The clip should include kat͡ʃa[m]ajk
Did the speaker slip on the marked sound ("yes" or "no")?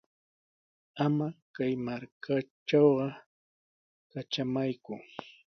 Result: no